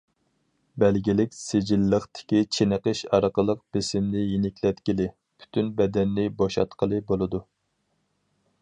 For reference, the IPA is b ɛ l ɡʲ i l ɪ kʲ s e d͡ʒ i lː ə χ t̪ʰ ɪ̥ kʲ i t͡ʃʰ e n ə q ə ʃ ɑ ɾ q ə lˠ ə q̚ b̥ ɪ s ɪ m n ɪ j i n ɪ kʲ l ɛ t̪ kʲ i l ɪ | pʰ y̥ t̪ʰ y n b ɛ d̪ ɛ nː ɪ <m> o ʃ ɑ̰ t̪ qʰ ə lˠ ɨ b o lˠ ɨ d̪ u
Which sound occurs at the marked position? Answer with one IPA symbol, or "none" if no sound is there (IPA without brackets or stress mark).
b